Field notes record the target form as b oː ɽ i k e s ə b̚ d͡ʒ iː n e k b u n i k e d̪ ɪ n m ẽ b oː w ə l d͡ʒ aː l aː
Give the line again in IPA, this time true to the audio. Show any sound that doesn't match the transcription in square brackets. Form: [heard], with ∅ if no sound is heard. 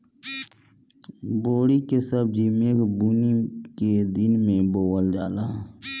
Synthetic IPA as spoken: b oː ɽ i k e s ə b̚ d͡ʒ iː [m] e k b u n i k e d̪ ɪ n m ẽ b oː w ə l d͡ʒ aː l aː